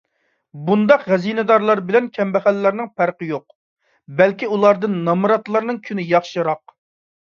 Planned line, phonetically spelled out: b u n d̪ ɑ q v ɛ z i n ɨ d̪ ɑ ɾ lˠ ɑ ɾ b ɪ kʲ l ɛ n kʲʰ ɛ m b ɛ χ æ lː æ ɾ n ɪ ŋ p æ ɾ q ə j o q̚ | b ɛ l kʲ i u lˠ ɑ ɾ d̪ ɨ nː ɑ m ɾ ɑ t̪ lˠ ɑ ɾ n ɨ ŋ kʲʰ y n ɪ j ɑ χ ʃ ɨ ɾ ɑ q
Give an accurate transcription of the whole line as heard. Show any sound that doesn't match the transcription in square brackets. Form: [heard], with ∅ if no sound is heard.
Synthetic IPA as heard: b u n d̪ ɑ q [ʁ] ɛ z i n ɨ d̪ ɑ ɾ lˠ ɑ ɾ b ɪ [∅] l ɛ n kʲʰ ɛ m b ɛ χ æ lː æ ɾ n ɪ ŋ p æ ɾ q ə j o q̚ | b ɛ l kʲ i u lˠ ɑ ɾ d̪ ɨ nː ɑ m ɾ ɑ t̪ lˠ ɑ ɾ n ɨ ŋ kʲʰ y n ɪ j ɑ χ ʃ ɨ ɾ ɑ q